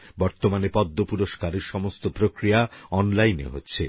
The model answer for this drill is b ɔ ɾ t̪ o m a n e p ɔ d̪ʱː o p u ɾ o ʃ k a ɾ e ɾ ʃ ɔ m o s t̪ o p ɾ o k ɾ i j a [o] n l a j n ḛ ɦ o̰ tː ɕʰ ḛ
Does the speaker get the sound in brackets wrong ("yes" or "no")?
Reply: yes